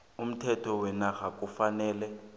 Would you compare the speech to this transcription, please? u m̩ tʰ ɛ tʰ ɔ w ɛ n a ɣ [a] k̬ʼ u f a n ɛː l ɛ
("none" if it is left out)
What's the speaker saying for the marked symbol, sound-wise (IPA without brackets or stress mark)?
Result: a